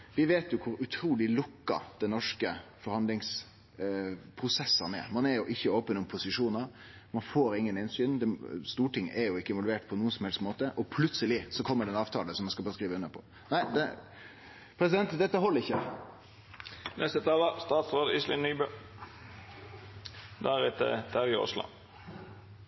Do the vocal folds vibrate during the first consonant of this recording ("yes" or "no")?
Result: yes